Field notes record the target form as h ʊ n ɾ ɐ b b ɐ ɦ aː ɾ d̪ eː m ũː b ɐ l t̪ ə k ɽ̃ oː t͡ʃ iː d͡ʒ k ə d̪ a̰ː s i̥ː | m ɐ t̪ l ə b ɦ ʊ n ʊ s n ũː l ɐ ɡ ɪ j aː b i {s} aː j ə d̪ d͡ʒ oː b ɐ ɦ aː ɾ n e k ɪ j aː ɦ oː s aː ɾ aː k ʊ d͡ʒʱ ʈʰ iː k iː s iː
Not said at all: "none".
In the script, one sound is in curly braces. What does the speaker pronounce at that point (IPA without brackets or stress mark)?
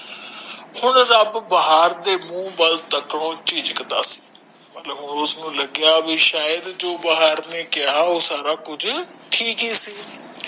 ʃ